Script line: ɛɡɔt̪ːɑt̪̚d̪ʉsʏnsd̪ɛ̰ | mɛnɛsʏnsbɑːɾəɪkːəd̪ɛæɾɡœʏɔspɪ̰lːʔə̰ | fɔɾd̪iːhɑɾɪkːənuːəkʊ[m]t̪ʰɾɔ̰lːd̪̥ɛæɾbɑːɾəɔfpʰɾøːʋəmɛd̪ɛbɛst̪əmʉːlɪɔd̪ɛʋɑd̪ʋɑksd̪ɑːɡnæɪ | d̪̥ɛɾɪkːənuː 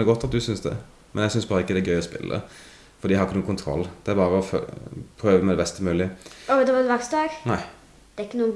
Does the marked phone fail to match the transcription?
yes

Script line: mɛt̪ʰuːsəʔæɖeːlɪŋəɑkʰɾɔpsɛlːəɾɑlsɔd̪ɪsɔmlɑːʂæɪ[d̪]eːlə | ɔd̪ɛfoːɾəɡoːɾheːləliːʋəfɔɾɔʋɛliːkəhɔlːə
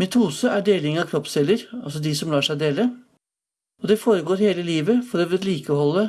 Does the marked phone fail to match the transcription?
no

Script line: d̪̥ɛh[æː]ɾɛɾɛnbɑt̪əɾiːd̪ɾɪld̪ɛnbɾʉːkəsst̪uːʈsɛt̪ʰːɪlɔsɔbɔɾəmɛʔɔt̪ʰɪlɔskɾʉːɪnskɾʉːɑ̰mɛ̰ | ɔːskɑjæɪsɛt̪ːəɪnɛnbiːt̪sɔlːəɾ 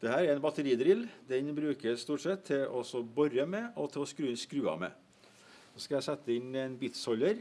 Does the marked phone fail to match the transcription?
no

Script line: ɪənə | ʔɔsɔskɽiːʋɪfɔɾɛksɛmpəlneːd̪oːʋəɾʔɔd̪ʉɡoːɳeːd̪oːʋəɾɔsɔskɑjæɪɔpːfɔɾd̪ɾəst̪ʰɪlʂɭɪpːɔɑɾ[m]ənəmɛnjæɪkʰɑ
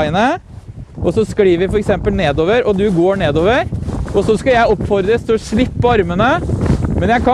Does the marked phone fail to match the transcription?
no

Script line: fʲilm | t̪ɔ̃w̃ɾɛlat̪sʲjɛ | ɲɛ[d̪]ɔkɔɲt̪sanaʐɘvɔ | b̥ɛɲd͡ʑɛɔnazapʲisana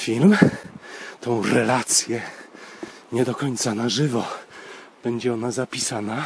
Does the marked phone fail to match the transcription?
no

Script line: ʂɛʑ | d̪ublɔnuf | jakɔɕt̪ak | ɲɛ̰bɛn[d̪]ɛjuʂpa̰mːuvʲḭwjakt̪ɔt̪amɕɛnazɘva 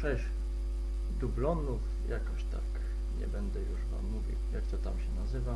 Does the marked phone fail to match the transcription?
no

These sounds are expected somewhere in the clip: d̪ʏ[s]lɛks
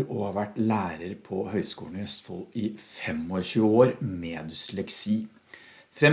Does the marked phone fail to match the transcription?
no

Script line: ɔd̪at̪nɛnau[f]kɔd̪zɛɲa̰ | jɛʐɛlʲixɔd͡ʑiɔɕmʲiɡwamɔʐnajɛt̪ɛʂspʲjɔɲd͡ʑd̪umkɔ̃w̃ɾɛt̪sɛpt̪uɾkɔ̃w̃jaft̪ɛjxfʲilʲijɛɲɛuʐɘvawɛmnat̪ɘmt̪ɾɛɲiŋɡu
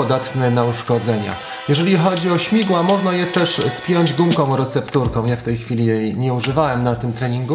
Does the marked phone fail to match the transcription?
yes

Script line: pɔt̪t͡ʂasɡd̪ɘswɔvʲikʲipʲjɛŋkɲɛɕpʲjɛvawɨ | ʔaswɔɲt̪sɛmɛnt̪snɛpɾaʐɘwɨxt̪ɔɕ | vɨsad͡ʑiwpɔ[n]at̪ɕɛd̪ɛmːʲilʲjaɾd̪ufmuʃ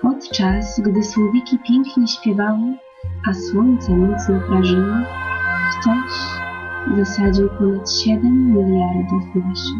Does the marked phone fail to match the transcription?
no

